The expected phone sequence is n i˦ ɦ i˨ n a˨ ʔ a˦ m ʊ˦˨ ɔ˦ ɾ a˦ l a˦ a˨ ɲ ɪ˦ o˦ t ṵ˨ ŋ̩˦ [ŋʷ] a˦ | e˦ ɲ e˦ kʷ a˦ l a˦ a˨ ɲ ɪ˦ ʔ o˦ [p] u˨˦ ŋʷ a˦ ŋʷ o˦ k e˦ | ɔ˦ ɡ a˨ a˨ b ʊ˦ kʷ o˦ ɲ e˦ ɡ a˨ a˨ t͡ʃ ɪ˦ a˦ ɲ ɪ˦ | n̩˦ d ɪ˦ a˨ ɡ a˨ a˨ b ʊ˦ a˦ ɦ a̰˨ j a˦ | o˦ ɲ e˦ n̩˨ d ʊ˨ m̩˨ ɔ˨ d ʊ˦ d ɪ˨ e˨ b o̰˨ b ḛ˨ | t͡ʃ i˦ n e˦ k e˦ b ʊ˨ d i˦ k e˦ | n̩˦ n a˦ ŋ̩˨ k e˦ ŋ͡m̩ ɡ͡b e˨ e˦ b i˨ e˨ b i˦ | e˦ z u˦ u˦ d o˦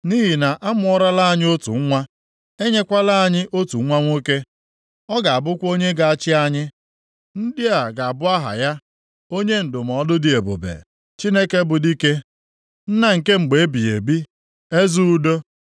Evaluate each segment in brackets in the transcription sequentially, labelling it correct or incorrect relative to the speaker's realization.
correct, incorrect: t

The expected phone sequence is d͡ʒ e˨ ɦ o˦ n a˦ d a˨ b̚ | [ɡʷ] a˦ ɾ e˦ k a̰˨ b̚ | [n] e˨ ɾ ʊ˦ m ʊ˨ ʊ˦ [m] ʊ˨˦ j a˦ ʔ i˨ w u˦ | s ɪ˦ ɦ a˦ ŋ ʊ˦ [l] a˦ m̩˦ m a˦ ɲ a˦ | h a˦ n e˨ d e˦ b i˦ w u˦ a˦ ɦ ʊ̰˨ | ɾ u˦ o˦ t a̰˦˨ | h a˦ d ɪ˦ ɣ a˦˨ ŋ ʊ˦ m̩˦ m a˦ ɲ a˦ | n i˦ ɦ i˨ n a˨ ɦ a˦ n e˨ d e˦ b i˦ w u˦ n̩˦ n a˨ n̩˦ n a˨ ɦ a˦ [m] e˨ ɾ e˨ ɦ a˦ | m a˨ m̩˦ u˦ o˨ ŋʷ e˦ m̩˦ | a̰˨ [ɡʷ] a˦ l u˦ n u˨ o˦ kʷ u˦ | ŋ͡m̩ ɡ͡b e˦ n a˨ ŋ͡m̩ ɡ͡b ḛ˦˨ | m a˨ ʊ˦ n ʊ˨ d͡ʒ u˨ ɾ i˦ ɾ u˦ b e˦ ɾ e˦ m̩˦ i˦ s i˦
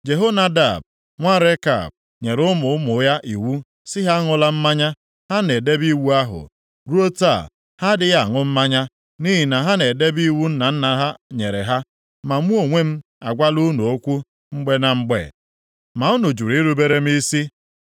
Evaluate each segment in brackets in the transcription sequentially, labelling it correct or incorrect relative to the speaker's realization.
incorrect: ŋʷ, incorrect: ɲ, correct, correct, incorrect: ɲ, correct

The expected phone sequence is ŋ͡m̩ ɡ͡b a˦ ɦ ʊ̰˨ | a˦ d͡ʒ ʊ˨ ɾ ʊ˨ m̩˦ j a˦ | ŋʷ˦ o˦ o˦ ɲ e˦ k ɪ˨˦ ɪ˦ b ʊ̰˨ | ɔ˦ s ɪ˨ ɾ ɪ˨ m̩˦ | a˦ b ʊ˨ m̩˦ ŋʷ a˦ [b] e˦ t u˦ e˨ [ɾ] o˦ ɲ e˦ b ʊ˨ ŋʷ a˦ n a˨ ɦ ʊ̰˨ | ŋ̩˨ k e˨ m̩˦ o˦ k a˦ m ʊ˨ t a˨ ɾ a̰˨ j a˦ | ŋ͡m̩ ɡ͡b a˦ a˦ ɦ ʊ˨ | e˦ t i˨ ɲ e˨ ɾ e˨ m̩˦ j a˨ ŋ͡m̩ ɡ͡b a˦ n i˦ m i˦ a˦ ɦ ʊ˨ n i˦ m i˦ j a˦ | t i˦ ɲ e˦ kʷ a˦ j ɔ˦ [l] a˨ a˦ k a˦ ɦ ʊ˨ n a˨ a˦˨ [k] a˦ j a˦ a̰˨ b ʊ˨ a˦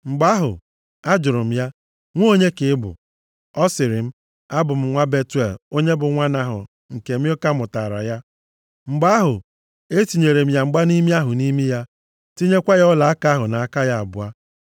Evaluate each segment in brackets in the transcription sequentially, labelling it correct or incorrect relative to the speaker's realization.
correct, incorrect: l, correct, correct

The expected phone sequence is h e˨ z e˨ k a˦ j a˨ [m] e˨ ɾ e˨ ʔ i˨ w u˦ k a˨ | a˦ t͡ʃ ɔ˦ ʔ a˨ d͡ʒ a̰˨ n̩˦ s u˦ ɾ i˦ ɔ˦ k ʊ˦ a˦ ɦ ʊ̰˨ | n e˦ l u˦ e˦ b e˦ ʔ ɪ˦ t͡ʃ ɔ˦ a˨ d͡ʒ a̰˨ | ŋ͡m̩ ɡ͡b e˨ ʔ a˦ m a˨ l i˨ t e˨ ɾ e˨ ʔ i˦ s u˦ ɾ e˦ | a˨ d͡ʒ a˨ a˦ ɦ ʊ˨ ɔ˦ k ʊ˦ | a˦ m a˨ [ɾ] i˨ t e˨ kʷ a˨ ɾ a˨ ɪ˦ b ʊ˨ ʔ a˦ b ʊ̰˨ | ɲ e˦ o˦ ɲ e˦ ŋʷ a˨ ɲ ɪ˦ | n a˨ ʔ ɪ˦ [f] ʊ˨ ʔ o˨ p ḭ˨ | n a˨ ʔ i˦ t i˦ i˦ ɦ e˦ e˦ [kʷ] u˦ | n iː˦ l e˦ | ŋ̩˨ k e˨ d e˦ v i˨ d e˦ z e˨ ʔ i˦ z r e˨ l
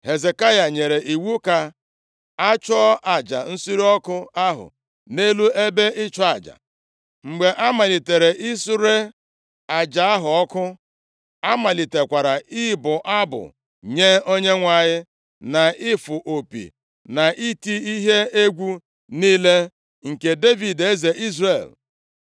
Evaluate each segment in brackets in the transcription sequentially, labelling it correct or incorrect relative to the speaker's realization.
incorrect: ɲ, incorrect: l, correct, incorrect: ɡʷ

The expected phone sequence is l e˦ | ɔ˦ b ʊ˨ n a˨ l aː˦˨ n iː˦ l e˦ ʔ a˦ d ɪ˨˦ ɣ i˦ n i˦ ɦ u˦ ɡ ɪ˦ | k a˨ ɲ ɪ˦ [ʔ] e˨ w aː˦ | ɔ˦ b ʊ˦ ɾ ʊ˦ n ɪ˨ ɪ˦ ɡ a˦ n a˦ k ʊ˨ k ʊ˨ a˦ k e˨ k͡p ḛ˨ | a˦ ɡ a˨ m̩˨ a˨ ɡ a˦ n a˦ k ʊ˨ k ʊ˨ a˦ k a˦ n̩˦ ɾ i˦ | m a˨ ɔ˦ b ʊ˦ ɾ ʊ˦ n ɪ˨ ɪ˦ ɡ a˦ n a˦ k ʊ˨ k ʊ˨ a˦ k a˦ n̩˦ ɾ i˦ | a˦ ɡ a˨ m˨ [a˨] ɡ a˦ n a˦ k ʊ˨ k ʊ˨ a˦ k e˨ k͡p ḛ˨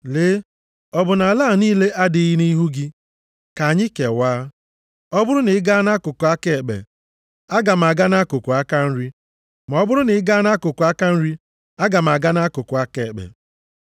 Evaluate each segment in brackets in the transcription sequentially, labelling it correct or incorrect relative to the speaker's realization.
incorrect: k, correct

